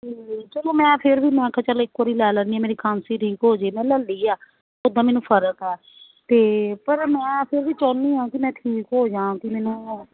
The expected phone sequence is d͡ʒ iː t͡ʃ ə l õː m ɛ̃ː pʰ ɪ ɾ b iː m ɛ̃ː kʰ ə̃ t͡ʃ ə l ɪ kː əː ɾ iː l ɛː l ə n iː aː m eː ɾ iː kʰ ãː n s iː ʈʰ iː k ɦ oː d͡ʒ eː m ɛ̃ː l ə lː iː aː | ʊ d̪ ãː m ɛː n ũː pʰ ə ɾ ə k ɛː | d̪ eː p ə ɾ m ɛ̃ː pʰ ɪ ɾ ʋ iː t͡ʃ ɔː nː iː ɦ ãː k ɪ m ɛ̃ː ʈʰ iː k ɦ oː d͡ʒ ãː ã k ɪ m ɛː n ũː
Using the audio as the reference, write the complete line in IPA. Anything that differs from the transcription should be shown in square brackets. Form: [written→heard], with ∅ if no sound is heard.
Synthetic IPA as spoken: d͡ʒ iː t͡ʃ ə l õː m ɛ̃ː pʰ ɪ ɾ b iː m ɛ̃ː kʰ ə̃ t͡ʃ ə l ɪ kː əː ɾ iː l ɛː l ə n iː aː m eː ɾ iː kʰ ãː n s iː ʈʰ iː k ɦ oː d͡ʒ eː m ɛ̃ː l ə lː iː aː | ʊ d̪ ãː m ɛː n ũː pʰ ə ɾ ə k ɛː | [d̪→t̪] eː p ə ɾ m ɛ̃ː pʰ ɪ ɾ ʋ iː t͡ʃ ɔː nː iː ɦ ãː k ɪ m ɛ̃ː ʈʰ iː k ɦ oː d͡ʒ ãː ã k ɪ m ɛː n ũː